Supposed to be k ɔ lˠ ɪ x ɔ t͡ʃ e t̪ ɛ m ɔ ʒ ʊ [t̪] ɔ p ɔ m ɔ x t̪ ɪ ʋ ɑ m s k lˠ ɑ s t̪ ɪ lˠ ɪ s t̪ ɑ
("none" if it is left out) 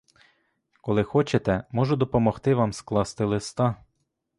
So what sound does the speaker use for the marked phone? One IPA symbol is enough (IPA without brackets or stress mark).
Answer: d̪